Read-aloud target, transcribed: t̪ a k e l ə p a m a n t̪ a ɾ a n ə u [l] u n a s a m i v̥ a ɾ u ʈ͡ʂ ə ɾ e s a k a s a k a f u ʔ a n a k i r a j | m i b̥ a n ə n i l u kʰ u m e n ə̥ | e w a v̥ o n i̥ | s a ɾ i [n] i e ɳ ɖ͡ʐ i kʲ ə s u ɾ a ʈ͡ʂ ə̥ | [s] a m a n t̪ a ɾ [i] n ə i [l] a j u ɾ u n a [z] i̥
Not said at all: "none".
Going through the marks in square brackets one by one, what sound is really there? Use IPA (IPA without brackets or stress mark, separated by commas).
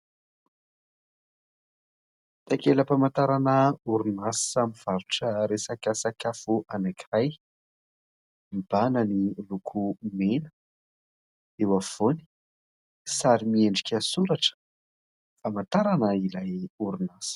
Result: ɾ, m, f, a, l, s